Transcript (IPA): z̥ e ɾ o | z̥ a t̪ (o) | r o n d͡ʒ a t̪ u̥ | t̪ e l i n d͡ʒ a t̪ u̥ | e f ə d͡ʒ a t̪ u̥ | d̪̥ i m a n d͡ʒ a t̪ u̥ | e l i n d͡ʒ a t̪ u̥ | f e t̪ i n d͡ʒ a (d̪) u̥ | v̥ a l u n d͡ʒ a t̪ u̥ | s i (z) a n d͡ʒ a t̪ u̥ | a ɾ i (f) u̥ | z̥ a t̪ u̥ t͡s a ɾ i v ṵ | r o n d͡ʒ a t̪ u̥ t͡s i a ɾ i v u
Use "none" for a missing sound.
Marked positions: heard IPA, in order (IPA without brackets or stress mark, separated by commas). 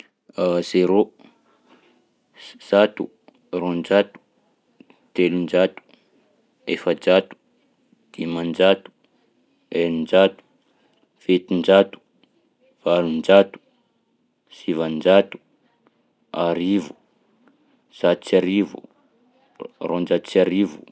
u, t̪, v, v